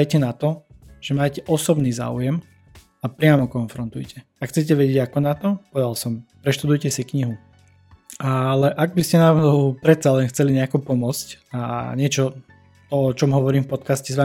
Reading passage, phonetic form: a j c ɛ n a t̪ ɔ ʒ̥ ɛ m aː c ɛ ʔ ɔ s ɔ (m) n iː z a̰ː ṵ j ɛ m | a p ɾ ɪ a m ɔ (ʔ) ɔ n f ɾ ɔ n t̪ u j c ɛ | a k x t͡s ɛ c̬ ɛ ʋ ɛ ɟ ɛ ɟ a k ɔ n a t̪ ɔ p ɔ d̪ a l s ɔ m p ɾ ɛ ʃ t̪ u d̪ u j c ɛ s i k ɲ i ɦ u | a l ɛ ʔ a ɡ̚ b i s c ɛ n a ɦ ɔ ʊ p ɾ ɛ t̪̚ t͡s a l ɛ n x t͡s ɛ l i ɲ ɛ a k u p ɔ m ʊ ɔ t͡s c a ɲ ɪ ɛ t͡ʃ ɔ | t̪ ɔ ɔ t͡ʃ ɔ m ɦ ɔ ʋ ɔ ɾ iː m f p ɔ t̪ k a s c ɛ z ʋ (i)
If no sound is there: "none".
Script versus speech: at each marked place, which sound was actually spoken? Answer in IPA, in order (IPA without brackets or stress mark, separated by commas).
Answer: b, k, a